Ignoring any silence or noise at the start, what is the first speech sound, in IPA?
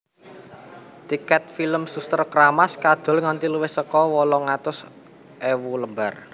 t̪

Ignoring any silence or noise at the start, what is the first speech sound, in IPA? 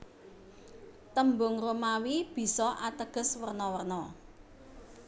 t̪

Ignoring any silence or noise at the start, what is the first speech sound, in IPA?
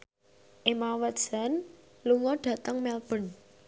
ʔ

